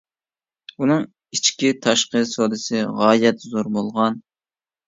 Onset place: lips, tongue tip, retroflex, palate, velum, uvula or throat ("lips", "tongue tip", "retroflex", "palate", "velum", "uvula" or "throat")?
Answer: tongue tip